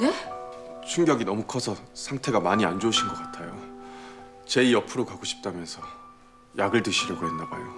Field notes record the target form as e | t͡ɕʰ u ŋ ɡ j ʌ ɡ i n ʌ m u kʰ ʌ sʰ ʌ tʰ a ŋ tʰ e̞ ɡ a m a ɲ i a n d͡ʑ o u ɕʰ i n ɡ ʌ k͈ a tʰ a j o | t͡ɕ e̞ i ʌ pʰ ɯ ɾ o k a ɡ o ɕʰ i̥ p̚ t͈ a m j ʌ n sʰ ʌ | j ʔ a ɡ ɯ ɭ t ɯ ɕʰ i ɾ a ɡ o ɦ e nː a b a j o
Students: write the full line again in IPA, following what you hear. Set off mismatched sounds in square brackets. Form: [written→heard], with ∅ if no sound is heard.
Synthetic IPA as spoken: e | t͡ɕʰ u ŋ ɡ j ʌ ɡ i n ʌ m u kʰ ʌ sʰ ʌ [tʰ→sʰ] a ŋ tʰ e̞ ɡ a m a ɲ i a n d͡ʑ o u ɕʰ i n ɡ ʌ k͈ a tʰ a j o | t͡ɕ e̞ i ʌ pʰ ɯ ɾ o k a ɡ o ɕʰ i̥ p̚ t͈ a m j ʌ n sʰ ʌ | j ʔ a ɡ ɯ ɭ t ɯ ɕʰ i ɾ [a→ʌ] ɡ o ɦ e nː a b a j o